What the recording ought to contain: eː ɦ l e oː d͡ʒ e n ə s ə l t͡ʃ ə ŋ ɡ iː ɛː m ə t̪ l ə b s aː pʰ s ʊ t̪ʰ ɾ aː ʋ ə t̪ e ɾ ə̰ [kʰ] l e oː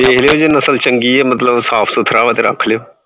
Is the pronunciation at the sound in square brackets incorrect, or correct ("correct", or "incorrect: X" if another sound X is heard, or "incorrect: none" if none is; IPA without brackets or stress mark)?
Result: correct